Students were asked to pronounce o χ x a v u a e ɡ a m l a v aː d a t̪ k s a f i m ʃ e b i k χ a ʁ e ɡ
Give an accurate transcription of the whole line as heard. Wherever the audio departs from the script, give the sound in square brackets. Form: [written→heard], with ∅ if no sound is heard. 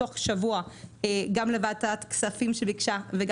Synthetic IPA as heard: o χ [x→ʃ] a v u a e ɡ a m l [a→e] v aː [d→t] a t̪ k s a f i m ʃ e b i k [χ→ʃ] a [ʁ→v] e ɡ